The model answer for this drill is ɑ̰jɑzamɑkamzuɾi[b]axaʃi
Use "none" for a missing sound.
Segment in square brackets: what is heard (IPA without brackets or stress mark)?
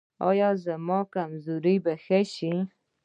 b